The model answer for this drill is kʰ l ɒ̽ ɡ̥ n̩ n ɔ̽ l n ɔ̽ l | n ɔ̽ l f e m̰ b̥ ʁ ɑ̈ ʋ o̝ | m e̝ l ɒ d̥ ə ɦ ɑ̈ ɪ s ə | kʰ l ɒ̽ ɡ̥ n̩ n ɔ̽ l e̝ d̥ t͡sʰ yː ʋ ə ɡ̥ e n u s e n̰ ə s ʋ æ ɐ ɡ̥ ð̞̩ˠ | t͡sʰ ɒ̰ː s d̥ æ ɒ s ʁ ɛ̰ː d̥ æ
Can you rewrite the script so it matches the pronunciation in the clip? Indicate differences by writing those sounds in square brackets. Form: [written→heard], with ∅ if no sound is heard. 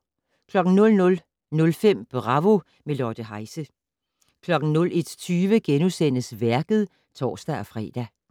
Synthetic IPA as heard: kʰ l ɒ̽ ɡ̥ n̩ n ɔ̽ l n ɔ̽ l | n ɔ̽ l f e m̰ b̥ ʁ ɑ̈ ʋ o̝ | m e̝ l ɒ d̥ ə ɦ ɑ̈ ɪ s ə | kʰ l ɒ̽ ɡ̥ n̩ n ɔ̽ l e̝ d̥ t͡sʰ yː ʋ ə ɡ̥ e n u s e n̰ ə s ʋ æ ɐ ɡ̥ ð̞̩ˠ | t͡sʰ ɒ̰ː s d̥ æ ɒ [s→f] ʁ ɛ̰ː d̥ æ

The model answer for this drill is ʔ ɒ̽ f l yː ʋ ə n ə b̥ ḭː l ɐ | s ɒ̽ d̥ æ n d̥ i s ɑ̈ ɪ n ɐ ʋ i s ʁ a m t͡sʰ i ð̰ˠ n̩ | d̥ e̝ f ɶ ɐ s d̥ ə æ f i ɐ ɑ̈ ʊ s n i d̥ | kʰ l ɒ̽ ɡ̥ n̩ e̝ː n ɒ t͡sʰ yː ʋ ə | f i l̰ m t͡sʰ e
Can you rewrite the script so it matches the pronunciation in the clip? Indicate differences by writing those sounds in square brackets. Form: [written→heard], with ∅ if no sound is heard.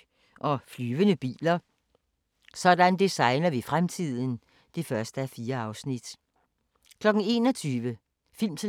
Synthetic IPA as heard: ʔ ɒ̽ f l yː ʋ ə n ə b̥ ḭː l ɐ | s ɒ̽ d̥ æ n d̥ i s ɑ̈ ɪ n ɐ ʋ i [s→f] ʁ a m t͡sʰ i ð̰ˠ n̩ | d̥ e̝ f ɶ ɐ s d̥ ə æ f [i→iː] ɐ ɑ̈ ʊ s n i d̥ | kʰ l ɒ̽ ɡ̥ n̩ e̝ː n ɒ t͡sʰ yː ʋ ə | f i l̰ m t͡sʰ e

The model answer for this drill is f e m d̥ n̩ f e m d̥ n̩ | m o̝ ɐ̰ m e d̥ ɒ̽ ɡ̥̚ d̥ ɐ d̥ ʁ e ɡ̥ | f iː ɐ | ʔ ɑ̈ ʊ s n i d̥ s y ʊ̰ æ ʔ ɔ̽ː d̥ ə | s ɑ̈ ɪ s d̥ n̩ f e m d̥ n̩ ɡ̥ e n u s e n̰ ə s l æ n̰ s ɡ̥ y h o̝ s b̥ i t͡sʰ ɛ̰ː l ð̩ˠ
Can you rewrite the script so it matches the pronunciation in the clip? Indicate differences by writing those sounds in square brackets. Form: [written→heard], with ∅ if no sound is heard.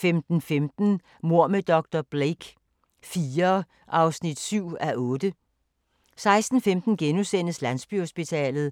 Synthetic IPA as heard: f e m d̥ n̩ f e m d̥ n̩ | m o̝ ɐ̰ m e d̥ ɒ̽ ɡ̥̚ d̥ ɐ [d̥→b̥] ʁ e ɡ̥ | f iː ɐ | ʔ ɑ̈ ʊ s n i d̥ s y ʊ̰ æ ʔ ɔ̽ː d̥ ə | s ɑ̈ ɪ s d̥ n̩ f e m d̥ n̩ ɡ̥ e n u s e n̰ ə s l æ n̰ s [ɡ̥→b̥] y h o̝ s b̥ i t͡sʰ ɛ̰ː l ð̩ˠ

